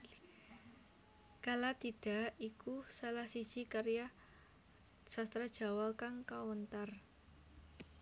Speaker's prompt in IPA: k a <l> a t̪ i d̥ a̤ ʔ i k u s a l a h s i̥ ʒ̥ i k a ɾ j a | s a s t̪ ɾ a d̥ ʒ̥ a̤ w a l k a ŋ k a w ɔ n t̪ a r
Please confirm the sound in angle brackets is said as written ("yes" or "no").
yes